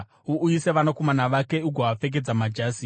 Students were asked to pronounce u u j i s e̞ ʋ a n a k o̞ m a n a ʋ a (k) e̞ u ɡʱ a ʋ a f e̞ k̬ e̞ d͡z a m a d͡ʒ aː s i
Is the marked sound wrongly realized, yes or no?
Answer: no